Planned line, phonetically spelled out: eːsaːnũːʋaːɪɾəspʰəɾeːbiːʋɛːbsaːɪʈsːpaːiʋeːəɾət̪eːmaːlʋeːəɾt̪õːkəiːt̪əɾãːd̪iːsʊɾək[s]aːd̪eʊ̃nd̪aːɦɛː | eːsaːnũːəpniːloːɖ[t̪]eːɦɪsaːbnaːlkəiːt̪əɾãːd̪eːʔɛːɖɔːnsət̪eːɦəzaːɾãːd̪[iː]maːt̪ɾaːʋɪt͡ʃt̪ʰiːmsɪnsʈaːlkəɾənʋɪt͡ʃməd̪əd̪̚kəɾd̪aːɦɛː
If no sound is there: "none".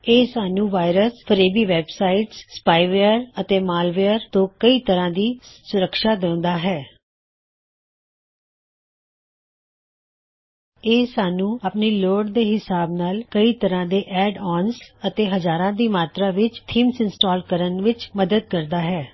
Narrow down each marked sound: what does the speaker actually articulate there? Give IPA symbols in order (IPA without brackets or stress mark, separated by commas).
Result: ʃ, d̪, iː